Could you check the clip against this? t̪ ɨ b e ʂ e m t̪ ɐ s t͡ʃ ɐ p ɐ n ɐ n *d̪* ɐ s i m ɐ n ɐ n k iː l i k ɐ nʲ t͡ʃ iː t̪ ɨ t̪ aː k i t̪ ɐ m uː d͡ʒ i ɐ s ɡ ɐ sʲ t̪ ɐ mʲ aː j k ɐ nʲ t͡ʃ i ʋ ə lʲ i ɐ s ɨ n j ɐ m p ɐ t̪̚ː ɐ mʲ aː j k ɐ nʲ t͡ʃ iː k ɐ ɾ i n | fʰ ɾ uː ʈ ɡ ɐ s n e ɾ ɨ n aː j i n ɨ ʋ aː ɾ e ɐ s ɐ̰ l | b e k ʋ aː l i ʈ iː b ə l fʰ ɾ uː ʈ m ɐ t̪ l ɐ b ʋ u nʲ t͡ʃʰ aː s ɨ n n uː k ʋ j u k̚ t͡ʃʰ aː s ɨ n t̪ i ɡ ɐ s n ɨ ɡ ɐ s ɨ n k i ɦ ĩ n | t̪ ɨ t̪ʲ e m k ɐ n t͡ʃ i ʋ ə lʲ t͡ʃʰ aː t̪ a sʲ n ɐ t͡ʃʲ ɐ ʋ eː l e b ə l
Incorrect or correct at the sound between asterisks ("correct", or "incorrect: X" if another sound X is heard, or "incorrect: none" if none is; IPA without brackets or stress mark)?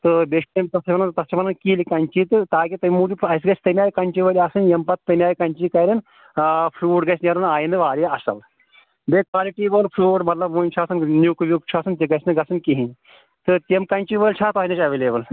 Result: incorrect: t̪